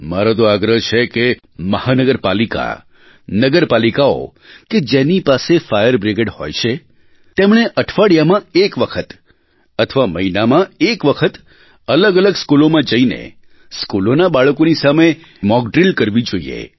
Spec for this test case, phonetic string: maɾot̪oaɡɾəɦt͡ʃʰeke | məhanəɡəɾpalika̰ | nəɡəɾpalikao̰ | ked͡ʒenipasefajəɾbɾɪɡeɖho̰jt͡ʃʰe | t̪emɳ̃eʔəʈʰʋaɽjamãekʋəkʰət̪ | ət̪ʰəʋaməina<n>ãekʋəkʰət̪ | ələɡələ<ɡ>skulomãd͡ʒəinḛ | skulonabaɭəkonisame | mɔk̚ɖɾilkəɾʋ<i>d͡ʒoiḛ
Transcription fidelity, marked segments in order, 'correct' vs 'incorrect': incorrect, correct, correct

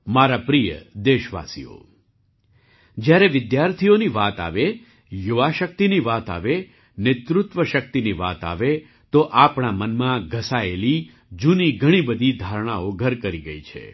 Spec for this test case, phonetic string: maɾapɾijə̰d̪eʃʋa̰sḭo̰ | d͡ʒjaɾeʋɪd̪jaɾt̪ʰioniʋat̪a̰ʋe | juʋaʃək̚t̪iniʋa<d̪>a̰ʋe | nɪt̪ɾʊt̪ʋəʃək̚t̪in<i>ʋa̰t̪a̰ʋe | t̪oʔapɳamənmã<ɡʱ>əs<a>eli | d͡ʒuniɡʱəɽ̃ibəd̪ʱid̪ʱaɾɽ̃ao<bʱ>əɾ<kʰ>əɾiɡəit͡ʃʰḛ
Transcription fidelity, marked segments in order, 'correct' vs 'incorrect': incorrect, correct, correct, correct, incorrect, incorrect

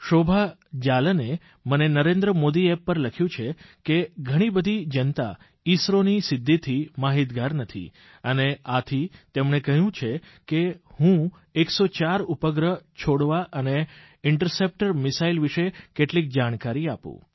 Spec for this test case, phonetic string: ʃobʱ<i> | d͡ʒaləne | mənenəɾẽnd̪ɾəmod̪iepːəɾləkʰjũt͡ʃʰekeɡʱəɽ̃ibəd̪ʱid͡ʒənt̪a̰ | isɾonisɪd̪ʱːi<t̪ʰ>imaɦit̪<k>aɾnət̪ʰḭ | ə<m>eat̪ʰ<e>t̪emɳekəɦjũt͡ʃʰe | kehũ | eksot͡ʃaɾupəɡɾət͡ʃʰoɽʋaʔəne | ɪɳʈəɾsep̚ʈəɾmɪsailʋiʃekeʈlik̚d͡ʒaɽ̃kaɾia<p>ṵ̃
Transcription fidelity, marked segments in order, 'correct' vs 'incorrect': incorrect, correct, incorrect, incorrect, incorrect, correct

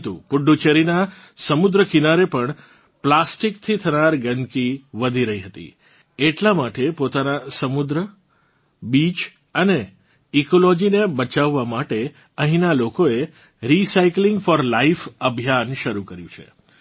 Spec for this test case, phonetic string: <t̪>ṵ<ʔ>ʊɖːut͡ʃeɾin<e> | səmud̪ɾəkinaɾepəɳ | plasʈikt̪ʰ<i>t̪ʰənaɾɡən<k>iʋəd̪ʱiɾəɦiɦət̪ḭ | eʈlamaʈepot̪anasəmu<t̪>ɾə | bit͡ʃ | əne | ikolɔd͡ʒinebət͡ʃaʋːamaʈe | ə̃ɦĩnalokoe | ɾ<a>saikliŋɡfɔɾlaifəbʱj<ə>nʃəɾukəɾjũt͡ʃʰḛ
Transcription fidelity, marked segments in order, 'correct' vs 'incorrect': correct, incorrect, incorrect, correct, correct, incorrect, incorrect, incorrect

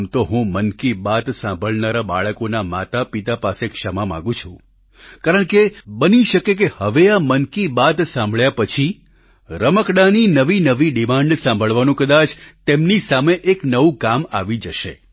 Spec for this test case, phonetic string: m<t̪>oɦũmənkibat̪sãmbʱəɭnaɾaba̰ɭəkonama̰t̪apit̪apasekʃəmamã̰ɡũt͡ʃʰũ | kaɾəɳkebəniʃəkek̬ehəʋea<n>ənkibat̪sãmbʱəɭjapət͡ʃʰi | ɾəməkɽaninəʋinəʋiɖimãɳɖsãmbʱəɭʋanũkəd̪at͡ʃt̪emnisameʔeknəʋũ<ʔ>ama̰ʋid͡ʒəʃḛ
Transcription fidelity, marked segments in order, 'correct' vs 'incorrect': correct, incorrect, incorrect

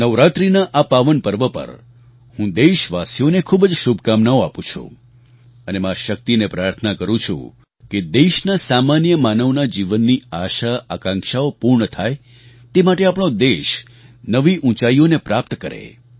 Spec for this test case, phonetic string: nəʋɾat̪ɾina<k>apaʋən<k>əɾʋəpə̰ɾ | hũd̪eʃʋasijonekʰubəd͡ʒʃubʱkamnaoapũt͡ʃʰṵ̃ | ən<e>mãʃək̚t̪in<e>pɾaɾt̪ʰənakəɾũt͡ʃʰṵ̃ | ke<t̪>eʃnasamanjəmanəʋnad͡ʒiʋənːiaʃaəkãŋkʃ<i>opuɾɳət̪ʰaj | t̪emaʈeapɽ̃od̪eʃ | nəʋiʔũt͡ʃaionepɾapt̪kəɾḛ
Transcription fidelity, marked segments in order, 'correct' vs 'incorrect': incorrect, incorrect, correct, correct, incorrect, incorrect

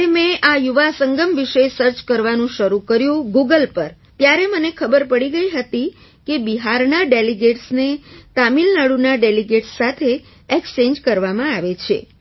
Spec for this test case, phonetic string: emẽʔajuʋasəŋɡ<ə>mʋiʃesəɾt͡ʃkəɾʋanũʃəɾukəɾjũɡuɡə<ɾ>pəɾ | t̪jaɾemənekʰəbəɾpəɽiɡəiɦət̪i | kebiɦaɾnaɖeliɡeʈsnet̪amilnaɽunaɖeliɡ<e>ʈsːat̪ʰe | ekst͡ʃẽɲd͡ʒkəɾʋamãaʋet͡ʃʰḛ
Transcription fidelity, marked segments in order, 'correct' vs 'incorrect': correct, incorrect, correct

